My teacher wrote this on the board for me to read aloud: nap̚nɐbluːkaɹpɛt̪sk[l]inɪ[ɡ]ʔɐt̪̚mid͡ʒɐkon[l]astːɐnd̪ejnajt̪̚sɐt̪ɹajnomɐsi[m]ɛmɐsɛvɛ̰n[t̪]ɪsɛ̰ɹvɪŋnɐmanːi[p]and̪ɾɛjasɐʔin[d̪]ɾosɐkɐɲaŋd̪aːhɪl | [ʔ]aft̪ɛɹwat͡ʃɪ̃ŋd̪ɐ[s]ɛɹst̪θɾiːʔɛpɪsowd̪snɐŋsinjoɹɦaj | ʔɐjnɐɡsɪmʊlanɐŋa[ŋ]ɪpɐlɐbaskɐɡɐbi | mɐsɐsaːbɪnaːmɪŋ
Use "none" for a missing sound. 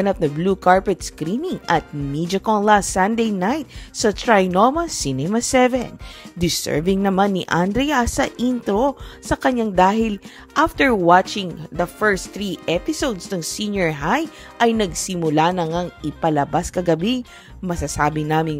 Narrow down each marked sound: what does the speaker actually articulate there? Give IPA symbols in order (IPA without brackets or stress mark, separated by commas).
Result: ɾ, ŋ, l, n, d̪, ʔ, t̪, ʔ, f, ŋ